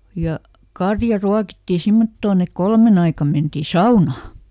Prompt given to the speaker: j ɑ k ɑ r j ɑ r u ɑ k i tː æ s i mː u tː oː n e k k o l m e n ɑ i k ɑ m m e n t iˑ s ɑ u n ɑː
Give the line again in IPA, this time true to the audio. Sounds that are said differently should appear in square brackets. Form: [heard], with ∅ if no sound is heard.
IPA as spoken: j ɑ k ɑ r j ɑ r u ɑ k i tː [i] s i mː [o] tː oː n e k k o l m e n ɑ i k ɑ m m e n t iˑ s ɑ u n ɑː